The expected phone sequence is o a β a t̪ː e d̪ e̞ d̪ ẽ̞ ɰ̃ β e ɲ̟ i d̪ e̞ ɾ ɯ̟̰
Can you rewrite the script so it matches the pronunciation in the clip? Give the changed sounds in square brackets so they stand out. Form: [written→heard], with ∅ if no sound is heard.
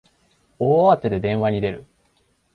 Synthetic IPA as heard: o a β a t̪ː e d̪ e̞ d̪ ẽ̞ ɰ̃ β [e→a] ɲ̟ i d̪ e̞ ɾ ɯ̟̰